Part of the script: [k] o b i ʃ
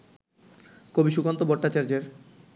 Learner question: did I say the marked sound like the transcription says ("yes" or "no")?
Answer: yes